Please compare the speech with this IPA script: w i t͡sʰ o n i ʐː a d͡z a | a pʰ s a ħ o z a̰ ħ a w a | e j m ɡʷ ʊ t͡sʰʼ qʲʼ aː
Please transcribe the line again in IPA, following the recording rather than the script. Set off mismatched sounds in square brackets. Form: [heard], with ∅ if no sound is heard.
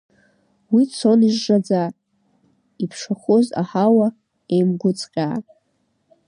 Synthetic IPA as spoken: w i t͡sʰ o n i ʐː a d͡z a | [i] pʰ [ʂ] a [χ] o z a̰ ħ a w a | e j m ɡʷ ʊ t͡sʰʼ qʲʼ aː